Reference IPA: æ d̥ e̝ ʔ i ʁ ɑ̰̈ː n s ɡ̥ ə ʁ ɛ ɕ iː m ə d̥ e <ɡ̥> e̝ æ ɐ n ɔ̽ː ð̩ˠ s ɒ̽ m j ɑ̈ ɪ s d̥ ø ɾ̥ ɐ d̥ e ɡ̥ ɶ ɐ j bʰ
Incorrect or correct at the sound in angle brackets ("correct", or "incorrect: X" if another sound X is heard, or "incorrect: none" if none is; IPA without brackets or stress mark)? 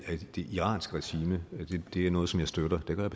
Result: incorrect: d̥